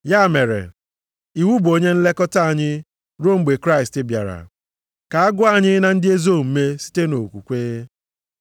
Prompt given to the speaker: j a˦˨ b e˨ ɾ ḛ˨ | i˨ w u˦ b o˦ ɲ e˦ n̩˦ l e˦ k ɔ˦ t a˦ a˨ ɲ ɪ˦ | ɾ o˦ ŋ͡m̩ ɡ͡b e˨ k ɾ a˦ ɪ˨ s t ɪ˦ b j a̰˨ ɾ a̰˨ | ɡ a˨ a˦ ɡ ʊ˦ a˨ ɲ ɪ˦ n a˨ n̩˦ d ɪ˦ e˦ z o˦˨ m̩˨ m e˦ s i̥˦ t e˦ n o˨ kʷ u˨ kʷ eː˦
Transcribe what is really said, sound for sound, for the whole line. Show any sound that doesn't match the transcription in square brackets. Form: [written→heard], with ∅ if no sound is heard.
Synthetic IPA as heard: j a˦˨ [b→m] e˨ ɾ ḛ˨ | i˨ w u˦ b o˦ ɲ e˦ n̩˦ l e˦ k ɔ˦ t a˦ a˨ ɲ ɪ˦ | ɾ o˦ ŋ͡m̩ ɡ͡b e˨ k ɾ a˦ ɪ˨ s t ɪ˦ b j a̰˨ ɾ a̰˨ | [ɡ→k] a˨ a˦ ɡ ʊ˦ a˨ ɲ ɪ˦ n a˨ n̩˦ d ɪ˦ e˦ z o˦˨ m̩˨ m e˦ s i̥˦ t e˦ n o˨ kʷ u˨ kʷ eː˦